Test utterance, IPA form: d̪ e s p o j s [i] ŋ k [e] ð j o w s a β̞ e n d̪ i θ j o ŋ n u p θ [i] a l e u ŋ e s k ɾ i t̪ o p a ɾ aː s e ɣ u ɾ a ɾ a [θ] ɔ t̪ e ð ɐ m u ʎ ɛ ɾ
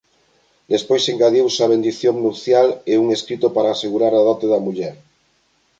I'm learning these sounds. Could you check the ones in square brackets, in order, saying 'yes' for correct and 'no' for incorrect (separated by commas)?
no, no, no, no